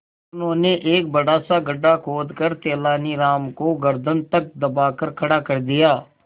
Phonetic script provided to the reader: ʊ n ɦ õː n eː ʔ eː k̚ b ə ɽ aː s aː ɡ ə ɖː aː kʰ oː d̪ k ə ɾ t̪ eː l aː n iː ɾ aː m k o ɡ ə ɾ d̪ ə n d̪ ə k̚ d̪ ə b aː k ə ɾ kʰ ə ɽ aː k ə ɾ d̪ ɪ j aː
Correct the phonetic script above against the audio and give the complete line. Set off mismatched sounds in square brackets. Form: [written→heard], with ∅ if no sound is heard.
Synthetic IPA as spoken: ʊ n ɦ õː n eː ʔ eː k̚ b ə ɽ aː s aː ɡ ə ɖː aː kʰ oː d̪ k ə ɾ t̪ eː l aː n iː ɾ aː m k o ɡ ə ɾ d̪ ə n [d̪→t̪] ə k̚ d̪ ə b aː k ə ɾ kʰ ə ɽ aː k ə ɾ d̪ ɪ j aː